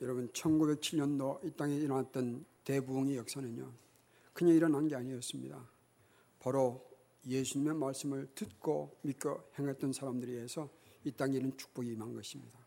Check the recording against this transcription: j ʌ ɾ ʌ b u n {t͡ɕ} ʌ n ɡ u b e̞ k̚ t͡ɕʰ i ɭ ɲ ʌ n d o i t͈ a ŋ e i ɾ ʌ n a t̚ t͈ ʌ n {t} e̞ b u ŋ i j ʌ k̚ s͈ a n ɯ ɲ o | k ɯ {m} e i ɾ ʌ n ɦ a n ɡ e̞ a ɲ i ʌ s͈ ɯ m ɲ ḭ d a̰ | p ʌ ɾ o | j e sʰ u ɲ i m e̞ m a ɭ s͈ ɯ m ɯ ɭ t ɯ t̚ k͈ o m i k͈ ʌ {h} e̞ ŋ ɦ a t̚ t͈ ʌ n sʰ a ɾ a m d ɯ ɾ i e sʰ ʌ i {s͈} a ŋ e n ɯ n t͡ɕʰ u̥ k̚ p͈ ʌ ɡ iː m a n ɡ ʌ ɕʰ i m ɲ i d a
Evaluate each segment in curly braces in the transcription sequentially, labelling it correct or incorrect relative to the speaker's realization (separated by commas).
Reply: incorrect, correct, incorrect, correct, incorrect